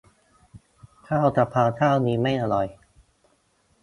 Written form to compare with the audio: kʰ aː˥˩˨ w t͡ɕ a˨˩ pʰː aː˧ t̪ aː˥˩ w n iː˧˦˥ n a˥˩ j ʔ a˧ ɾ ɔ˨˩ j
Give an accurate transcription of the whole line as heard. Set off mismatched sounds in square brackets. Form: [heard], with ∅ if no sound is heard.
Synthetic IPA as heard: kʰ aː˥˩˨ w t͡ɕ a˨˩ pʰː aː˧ [t̪ʰ] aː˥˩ w n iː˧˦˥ [m] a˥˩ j ʔ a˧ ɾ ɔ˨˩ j